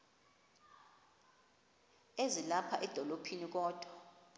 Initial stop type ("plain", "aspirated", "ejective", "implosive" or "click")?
aspirated